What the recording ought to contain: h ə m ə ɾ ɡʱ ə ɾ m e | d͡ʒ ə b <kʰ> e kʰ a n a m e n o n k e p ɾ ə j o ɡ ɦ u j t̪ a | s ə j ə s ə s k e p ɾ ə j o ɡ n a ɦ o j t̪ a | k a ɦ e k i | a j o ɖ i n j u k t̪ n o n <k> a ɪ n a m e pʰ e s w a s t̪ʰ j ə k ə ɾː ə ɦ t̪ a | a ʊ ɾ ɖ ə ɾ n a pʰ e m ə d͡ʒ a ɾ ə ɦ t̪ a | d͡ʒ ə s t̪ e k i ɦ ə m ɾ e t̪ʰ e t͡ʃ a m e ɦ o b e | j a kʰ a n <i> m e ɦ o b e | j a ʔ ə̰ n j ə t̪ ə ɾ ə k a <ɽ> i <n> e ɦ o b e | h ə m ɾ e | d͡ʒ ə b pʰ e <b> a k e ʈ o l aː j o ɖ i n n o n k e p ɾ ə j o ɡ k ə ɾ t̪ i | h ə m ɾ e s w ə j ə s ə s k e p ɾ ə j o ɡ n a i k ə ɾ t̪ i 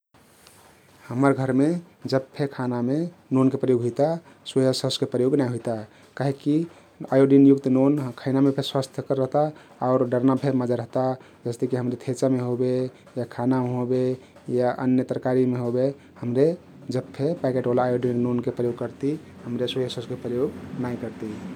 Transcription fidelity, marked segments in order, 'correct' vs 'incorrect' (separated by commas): incorrect, incorrect, incorrect, incorrect, incorrect, incorrect